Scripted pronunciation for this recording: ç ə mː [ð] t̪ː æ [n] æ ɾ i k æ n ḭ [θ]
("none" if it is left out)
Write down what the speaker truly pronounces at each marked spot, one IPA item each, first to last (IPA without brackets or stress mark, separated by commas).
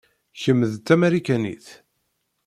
ð, m, θ